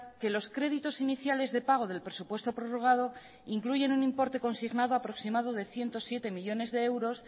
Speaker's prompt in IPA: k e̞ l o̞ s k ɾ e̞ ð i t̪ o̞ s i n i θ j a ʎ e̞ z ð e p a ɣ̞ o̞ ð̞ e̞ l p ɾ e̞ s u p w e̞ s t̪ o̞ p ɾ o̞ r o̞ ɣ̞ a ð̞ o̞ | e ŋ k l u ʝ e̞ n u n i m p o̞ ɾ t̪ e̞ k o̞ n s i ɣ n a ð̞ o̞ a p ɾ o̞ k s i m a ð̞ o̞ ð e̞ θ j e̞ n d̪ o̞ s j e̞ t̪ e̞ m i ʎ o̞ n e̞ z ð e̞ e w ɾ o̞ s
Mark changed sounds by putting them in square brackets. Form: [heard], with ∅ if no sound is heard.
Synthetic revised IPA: k e̞ l o̞ s k ɾ e̞ ð i t̪ o̞ s i n i θ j a [l] e̞ z ð e p a ɣ̞ o̞ ð̞ e̞ l p ɾ e̞ s u p w e̞ s t̪ o̞ p ɾ o̞ r o̞ ɣ̞ a ð̞ o̞ | [i] ŋ k l u ʝ e̞ n u n i m p o̞ ɾ t̪ e̞ k o̞ n s i ɣ n a ð̞ o̞ a p ɾ o̞ k s i m a ð̞ o̞ ð e̞ θ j e̞ n [t̪] o̞ s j e̞ t̪ e̞ m i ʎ o̞ n e̞ z ð e̞ e w ɾ o̞ s